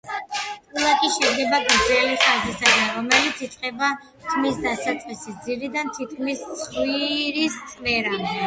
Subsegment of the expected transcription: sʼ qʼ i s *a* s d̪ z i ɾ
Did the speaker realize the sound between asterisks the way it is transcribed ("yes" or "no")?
no